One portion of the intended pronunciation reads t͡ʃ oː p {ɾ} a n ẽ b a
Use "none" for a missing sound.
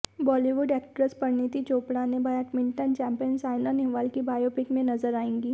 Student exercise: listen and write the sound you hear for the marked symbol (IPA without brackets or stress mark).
ɽ